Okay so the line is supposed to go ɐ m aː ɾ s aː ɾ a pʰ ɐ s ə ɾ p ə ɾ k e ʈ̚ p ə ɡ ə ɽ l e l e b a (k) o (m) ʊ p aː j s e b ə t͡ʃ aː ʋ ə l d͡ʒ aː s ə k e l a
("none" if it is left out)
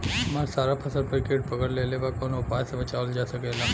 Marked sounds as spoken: k, n

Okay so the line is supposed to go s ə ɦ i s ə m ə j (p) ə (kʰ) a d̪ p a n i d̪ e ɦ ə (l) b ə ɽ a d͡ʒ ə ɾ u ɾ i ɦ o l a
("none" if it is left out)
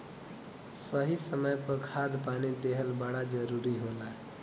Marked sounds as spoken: p, kʰ, l

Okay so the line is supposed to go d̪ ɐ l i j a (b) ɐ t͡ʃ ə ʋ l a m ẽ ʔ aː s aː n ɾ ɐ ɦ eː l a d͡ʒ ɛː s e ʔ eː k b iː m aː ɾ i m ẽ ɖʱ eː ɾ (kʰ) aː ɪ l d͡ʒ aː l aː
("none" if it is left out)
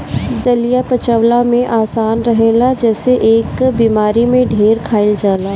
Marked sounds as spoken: p, kʰ

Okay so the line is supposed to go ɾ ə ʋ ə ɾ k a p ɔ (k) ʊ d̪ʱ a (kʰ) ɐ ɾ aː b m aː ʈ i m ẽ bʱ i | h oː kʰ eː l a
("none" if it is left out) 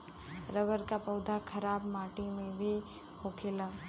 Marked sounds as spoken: none, kʰ

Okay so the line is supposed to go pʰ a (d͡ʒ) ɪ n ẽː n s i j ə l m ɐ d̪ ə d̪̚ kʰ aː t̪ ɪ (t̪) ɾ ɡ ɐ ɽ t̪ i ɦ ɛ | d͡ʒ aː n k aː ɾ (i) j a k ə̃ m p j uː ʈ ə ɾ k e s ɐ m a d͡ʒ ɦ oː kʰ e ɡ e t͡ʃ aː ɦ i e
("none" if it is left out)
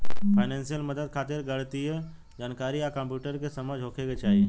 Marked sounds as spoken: none, none, i

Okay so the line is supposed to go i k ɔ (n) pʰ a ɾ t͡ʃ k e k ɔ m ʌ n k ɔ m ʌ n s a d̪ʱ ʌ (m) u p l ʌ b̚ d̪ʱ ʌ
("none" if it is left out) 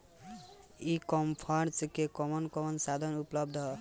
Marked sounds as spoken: m, n

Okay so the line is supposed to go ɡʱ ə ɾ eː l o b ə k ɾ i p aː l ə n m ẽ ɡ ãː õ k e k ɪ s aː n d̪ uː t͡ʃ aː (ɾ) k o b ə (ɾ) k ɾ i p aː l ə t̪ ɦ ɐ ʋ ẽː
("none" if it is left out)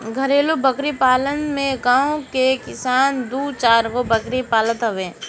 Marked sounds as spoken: ɾ, none

